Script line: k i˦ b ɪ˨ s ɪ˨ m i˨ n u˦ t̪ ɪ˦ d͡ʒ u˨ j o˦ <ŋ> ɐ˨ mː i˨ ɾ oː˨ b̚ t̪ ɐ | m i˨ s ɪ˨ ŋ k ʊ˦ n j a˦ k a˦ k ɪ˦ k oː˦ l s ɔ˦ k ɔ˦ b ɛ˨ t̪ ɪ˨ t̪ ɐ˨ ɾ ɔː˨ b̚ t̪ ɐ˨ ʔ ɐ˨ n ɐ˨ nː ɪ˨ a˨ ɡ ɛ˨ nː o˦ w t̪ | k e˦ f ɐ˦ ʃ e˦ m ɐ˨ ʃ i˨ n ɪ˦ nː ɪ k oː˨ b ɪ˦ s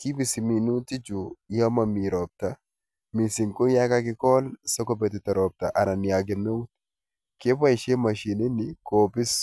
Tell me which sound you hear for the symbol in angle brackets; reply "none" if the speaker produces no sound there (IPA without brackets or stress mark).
m